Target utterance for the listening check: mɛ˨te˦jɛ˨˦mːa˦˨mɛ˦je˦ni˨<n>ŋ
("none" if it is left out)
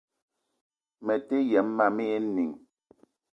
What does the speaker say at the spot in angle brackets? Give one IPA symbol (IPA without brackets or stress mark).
none